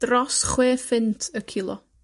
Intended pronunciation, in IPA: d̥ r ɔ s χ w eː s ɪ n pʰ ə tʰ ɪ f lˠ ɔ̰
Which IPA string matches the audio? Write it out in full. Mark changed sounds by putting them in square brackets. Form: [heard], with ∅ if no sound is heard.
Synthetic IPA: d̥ r ɔ s χ w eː [f] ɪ n [tʰ] ə [kʰ] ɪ [∅] lˠ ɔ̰